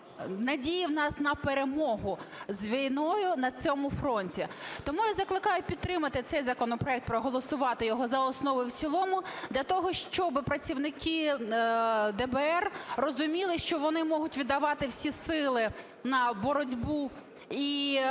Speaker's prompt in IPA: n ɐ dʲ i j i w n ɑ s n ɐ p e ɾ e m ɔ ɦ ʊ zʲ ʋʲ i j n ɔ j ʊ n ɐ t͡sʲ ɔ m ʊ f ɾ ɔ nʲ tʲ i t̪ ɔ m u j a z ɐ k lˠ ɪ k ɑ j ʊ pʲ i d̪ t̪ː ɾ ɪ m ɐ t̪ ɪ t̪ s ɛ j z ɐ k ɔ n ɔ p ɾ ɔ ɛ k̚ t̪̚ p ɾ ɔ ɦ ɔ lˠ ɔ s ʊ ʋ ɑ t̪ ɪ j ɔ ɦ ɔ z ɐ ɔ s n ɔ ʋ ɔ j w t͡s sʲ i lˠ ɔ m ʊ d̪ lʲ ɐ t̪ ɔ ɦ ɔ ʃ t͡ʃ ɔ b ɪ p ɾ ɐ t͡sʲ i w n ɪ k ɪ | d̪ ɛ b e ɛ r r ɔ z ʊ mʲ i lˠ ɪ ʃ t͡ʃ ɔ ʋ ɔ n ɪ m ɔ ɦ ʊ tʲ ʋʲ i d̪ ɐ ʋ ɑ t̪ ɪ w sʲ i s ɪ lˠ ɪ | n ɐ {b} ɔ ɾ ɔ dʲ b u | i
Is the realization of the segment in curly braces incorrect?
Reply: no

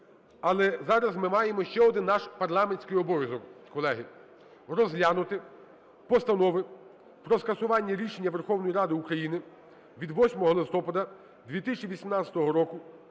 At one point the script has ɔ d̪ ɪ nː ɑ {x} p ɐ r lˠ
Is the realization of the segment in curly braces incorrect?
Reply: yes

